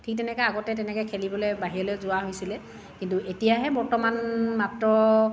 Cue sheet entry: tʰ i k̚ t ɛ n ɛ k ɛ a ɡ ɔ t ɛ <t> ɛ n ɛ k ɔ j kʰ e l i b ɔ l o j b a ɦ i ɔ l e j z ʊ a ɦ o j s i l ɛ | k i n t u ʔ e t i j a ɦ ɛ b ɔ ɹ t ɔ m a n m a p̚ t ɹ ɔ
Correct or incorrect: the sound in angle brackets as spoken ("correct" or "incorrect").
correct